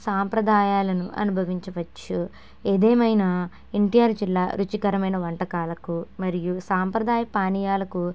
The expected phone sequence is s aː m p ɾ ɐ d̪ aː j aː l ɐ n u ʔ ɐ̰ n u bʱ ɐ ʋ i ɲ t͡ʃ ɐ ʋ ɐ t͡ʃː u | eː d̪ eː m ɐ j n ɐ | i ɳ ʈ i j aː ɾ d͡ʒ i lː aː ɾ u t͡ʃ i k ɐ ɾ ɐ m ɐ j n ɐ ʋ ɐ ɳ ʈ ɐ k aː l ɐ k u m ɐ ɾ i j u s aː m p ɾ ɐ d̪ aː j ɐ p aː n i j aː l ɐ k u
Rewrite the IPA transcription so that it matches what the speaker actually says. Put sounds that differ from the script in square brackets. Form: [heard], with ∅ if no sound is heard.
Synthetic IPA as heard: s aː m p ɾ ɐ d̪ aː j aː l ɐ n u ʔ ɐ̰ n u bʱ ɐ ʋ i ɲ t͡ʃ ɐ ʋ ɐ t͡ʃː u | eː d̪ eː m ɐ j n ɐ | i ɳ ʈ i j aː ɾ d͡ʒ i lː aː ɾ u t͡ʃ i k ɐ ɾ ɐ m ɐ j n ɐ ʋ ɐ ɳ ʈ ɐ k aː l ɐ k u m ɐ ɾ i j u s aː m p ɾ ɐ d̪ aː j ɐ p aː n i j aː l ɐ k u